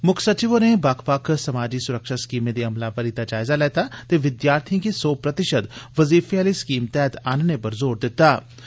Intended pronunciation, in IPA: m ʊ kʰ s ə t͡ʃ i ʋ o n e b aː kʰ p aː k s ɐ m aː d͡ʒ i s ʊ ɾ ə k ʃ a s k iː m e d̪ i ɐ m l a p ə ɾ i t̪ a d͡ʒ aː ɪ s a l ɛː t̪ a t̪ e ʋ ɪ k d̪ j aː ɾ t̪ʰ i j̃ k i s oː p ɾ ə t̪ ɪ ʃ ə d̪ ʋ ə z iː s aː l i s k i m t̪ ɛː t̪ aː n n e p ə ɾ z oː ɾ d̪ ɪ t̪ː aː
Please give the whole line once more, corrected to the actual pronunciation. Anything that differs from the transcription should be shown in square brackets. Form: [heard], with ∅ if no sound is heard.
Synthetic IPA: m ʊ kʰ s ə t͡ʃ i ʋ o n e b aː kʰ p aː k s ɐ m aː d͡ʒ i s ʊ ɾ ə k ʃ a s k iː m e d̪ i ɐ m l a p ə ɾ i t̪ a d͡ʒ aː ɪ [z] a l ɛː t̪ a t̪ e ʋ ɪ [∅] d̪ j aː ɾ t̪ʰ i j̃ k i s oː p ɾ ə t̪ ɪ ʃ ə d̪ ʋ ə z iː [f] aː l i s k [iː] m t̪ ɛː t̪ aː n n e p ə ɾ z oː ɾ d̪ ɪ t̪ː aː